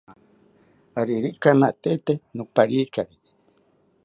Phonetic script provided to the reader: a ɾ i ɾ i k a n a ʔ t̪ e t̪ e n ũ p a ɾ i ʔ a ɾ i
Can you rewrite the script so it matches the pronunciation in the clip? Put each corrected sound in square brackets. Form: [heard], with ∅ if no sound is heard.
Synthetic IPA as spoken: a ɾ i ɾ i k a n a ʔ t̪ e t̪ e n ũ p a ɾ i [k] a ɾ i